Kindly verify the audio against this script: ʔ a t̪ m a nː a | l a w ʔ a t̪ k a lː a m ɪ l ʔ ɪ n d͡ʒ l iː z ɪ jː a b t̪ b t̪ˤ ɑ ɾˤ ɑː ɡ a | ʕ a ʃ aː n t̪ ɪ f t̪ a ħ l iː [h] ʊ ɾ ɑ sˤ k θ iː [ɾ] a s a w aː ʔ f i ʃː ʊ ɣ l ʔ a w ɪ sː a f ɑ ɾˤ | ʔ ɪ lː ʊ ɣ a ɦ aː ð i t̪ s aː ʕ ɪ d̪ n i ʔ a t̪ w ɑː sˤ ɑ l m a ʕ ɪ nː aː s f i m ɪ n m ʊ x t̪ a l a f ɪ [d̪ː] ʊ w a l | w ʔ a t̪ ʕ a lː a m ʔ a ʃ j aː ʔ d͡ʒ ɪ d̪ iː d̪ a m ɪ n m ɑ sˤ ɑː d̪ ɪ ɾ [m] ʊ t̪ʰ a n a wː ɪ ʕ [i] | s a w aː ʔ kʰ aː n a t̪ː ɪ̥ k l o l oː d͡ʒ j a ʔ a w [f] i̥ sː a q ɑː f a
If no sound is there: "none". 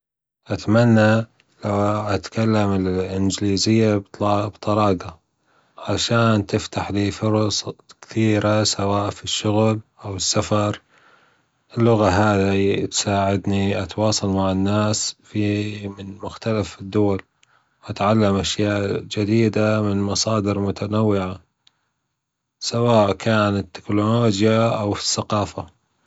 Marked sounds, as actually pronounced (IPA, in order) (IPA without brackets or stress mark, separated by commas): f, ɾ, d̪ː, m, a, f